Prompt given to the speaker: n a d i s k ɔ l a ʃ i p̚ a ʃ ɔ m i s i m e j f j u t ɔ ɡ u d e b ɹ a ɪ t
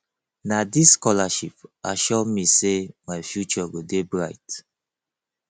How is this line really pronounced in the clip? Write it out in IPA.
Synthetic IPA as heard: n a d i s k ɔ l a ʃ i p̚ a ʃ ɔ m i s e m a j f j u t͡ʃ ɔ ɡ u d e b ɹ a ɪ t